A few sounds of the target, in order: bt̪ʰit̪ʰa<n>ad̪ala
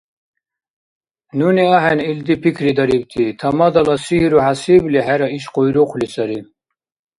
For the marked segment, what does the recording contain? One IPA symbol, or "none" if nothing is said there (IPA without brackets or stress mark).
m